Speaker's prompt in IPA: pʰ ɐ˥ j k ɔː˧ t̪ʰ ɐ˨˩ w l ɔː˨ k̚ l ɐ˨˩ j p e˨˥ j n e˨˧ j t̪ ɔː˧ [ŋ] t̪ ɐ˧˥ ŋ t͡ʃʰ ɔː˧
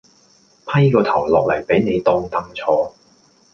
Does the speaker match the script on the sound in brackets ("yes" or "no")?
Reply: yes